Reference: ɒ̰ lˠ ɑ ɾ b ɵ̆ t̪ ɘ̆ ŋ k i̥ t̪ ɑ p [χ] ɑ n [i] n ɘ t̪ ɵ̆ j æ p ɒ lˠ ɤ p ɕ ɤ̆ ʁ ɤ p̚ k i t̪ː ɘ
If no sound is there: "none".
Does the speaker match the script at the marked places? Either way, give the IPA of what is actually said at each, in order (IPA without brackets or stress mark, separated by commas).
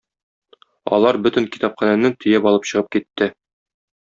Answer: χ, æ